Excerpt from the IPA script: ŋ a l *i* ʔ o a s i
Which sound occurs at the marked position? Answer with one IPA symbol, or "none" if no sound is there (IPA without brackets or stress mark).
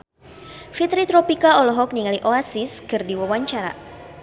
i